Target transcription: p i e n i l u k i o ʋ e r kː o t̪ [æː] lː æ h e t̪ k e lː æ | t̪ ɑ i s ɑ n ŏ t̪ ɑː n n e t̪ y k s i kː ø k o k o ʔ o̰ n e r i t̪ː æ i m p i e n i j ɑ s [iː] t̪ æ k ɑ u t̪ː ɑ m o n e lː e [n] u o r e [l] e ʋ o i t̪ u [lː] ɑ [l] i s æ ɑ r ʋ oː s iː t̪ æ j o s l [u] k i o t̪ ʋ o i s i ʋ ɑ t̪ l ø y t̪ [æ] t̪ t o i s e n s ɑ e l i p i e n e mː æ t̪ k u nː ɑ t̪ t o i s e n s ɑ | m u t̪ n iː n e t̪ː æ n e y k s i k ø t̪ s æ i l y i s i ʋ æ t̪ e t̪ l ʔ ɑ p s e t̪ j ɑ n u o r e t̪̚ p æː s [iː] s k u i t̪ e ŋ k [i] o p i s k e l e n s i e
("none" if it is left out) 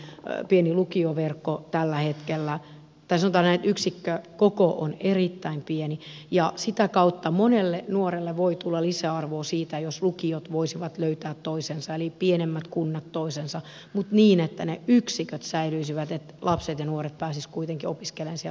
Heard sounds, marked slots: æ, i, n, lː, lː, l, u, æː, i, i

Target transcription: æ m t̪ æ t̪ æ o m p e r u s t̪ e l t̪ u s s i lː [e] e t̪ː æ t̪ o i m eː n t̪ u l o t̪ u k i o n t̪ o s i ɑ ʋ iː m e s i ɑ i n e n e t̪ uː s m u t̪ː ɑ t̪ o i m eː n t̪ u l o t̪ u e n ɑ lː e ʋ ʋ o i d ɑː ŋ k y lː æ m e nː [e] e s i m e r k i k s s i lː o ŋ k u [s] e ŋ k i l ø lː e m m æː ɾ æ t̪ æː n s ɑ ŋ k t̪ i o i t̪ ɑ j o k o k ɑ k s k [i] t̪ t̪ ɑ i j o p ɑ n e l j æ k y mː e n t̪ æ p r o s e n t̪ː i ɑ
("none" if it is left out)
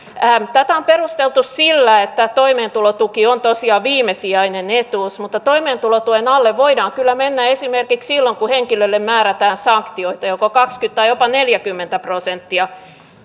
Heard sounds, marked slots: æ, æ, h, y

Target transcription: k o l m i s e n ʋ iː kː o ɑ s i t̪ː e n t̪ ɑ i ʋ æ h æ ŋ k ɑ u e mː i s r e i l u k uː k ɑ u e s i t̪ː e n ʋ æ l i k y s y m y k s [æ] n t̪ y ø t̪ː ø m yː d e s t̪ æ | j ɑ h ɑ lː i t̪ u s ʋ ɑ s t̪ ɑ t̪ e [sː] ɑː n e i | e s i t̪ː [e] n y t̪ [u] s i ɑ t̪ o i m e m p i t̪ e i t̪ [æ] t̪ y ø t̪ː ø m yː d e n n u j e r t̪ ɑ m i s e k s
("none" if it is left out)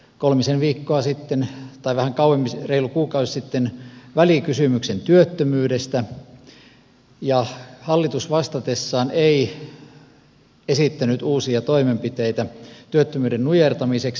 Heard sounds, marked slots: e, sː, æ, uː, æ

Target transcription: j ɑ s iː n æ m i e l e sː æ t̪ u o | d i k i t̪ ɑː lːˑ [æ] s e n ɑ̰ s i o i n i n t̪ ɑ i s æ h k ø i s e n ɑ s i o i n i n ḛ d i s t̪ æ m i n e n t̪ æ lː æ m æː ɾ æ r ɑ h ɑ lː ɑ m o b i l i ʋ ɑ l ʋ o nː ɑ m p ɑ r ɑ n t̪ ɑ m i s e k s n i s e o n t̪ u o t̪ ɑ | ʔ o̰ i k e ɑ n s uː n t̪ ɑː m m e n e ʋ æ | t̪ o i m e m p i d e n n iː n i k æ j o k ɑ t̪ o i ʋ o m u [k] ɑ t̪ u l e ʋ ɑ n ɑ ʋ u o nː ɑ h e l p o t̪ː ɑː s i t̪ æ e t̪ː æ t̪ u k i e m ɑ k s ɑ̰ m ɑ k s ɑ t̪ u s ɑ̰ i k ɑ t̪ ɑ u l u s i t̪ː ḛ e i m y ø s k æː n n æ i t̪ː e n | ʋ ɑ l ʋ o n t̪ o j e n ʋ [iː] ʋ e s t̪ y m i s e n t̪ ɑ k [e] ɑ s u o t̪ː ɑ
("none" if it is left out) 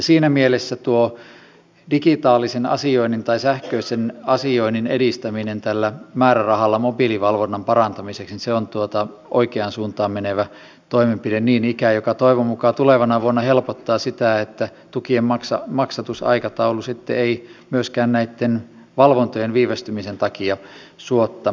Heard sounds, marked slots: i, k, iː, i

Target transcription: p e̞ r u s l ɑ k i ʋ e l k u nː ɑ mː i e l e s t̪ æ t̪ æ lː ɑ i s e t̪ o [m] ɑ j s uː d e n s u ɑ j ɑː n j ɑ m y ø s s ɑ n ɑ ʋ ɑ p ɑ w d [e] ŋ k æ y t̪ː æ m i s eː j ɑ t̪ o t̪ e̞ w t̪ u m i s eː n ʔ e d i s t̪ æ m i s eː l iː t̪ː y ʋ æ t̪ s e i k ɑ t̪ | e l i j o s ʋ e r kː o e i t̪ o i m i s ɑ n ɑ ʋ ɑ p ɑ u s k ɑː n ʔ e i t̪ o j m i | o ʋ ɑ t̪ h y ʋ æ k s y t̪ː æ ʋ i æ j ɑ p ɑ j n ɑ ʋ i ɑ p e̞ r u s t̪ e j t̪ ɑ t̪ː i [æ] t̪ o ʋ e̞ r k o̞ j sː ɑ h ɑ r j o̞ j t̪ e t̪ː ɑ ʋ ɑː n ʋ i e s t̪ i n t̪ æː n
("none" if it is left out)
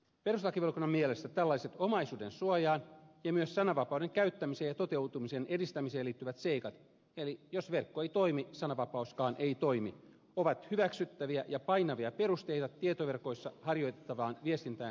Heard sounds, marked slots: m, e, e

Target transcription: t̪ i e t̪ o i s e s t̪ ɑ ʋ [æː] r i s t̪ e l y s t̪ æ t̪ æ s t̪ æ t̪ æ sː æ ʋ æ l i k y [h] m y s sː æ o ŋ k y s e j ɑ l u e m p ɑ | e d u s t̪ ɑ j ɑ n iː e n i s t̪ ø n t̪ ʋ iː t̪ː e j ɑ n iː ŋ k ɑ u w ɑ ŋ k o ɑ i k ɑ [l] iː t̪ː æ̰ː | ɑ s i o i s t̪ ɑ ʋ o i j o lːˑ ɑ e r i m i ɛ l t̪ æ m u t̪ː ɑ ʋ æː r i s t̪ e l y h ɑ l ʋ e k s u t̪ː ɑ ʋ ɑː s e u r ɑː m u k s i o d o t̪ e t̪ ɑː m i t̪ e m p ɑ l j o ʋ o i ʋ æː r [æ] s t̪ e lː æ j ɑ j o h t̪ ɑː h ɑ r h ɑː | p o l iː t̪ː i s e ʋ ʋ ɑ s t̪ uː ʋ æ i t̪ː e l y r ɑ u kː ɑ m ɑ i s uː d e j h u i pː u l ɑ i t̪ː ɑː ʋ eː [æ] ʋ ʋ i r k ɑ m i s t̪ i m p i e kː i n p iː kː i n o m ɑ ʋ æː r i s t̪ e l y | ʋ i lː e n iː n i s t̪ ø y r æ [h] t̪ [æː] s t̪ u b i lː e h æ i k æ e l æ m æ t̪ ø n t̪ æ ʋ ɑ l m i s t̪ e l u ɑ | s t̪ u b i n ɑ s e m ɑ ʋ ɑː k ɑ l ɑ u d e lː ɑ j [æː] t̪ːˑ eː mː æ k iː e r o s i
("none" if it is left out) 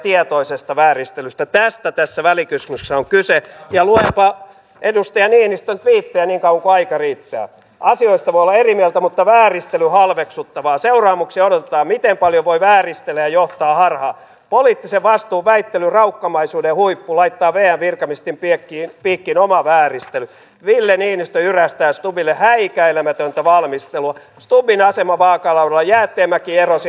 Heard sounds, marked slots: æː, s, r, i, æ, s, æː, æː

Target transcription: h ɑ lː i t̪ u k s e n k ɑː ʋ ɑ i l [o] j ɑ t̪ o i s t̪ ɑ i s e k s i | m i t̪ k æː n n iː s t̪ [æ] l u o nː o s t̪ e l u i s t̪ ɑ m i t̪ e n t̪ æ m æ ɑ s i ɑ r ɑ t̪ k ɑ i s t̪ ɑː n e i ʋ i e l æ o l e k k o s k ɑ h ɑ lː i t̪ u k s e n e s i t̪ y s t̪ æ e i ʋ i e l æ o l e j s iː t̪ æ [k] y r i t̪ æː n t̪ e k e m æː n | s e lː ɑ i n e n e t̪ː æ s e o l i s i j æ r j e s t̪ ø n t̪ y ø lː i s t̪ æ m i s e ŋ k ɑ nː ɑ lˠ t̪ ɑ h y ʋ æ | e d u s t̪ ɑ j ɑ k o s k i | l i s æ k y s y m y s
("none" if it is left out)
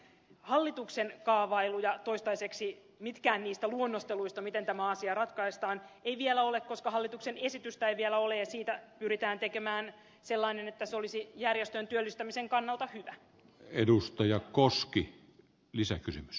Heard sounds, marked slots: u, æ, p

